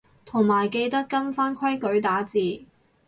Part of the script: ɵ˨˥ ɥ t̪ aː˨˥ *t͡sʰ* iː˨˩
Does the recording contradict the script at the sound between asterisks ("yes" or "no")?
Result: yes